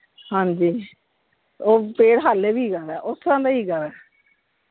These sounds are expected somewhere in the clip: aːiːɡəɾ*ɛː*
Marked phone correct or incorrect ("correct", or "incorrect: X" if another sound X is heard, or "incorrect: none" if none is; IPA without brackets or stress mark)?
correct